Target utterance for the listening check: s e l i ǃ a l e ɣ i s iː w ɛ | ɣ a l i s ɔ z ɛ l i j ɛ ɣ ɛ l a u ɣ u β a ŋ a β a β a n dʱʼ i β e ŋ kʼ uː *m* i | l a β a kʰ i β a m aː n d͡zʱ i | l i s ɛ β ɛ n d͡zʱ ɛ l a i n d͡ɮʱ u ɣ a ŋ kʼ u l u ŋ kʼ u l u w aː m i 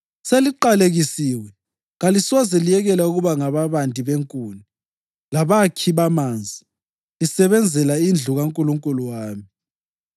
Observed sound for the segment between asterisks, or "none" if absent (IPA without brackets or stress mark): n